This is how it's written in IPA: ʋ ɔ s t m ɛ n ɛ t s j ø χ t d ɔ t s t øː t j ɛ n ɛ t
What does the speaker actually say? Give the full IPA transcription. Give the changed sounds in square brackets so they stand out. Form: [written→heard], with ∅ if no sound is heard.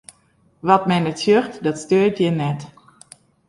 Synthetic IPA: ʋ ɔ [s→∅] t m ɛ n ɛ t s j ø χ t d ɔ t s t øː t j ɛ n ɛ t